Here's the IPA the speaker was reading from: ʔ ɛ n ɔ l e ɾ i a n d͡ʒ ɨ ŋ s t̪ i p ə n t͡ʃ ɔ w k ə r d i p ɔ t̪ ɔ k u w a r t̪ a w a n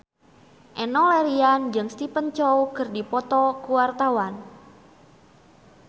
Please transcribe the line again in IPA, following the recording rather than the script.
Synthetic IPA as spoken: ʔ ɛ n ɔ l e ɾ i a n d͡ʒ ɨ ŋ s t̪ i p ə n t͡ʃ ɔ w k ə r d i p ɔ t̪ ɔ k u w a r t̪ a w a n